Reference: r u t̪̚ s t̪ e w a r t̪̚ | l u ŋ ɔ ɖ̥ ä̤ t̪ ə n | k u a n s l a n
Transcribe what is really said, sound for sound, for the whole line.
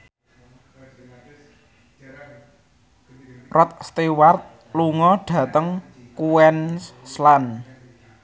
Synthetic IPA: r ɔ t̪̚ s t̪ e w a r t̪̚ | l u ŋ ɔ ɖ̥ ä̤ t̪ ə ŋ | k u ɛ n s l a n